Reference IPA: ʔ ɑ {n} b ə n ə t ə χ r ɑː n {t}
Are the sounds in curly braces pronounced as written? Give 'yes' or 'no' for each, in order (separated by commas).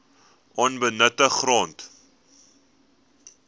yes, yes